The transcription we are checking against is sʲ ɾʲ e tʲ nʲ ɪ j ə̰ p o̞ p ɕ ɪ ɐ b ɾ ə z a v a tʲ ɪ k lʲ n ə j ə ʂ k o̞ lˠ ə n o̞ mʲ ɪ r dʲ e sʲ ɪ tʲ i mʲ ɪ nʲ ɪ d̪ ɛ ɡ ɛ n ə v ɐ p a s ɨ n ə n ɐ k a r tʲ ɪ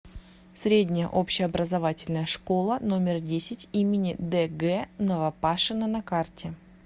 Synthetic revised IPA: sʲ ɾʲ e dʲ nʲ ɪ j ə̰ ʔ o̞ p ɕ ɪ ɐ b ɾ ə z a v a tʲ ɪ lʲ n ə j ə ʂ k o̞ lˠ ə n o̞ mʲ ɪ r dʲ e sʲ ɪ tʲ i mʲ ɪ nʲ ɪ d̪ ɛ ɡ ɛ n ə v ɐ p a ʂ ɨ n ə n ɐ k a r tʲ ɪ